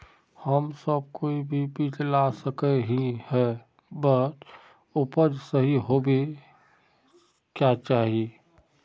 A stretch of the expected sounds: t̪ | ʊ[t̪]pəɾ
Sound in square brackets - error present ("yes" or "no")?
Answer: yes